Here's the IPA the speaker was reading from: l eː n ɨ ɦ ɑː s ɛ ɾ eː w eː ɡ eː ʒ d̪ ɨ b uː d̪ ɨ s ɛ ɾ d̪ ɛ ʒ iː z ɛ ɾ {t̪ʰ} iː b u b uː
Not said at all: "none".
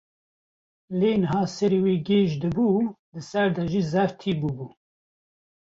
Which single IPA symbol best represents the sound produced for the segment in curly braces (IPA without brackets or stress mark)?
t̪ʰ